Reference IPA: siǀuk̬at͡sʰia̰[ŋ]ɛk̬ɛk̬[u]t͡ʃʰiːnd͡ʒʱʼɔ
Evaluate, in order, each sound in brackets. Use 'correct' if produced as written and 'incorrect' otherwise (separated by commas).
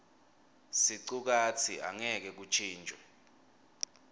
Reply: correct, correct